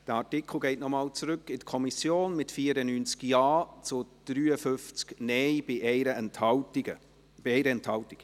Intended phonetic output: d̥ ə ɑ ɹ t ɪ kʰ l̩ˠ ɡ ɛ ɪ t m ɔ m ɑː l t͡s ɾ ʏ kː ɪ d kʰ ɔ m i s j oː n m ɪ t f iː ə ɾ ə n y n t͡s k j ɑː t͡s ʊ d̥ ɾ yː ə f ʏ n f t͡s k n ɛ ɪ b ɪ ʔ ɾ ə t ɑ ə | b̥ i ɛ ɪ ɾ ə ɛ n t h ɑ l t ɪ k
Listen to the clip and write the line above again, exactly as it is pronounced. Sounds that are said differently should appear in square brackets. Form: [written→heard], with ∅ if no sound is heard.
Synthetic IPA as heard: d̥ ə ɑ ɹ t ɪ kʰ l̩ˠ ɡ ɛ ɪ t [m→n] ɔ m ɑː l t͡s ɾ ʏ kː ɪ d kʰ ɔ m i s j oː n m ɪ t f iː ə ɾ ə n y n t͡s k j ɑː t͡s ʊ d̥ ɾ yː ə f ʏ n f t͡s k n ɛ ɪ b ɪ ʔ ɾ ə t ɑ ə | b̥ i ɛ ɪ ɾ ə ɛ n t h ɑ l t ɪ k

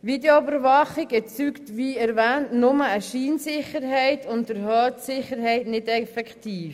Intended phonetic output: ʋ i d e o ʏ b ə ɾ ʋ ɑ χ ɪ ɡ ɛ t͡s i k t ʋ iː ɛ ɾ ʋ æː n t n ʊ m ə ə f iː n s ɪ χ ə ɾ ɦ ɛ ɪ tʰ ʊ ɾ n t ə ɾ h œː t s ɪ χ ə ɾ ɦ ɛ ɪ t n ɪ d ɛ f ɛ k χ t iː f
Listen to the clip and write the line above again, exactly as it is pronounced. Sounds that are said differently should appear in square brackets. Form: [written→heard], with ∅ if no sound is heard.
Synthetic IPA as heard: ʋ i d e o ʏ b ə ɾ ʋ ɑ χ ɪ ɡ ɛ t͡s [i→y] k t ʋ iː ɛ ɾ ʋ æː n t n ʊ m ə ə [f→ʃ] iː n s ɪ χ ə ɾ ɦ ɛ ɪ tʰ ʊ [ɾ→∅] n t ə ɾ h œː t s ɪ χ ə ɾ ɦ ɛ ɪ t n ɪ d ɛ f ɛ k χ t iː f

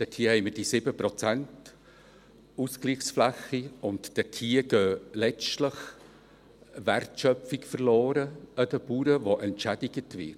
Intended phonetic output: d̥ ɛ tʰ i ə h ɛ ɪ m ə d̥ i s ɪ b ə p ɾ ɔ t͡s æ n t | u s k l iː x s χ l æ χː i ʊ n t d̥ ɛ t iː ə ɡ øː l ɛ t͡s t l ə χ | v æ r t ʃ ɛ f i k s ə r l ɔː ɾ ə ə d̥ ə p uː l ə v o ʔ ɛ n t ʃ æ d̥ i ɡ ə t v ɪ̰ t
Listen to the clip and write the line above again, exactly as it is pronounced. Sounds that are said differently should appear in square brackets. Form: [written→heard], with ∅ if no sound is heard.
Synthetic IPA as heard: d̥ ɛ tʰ i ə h ɛ ɪ m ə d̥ i s ɪ b ə p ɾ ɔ t͡s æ n t | u s k l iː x s [χ→f] l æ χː i ʊ n t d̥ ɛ [t→tʰ] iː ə ɡ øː l ɛ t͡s t l ə χ | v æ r t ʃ [ɛ→œ] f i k [s→f] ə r l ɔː ɾ ə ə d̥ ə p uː [l→ɾ] ə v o ʔ ɛ n t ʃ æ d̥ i ɡ ə t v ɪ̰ t

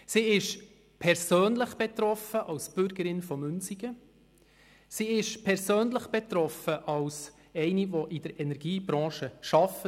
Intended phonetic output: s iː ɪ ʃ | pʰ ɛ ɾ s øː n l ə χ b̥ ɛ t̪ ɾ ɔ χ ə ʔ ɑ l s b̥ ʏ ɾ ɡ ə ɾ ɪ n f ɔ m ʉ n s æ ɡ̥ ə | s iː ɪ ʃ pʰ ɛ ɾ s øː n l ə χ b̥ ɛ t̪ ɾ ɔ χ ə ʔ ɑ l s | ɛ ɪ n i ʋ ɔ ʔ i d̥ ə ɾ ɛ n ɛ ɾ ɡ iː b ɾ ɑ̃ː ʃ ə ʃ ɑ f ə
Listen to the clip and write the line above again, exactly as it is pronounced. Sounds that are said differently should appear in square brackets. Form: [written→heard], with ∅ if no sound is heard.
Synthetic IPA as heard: s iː ɪ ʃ | pʰ ɛ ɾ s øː n l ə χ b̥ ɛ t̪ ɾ ɔ [χ→f] ə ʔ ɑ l s b̥ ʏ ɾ ɡ ə ɾ ɪ n f ɔ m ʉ n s [æ→i] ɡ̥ ə | s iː ɪ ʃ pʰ ɛ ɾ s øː n l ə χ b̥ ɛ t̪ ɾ ɔ [χ→f] ə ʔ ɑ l s | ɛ ɪ n i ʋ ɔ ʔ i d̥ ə ɾ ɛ n ɛ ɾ ɡ iː b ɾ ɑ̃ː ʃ ə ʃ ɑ f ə

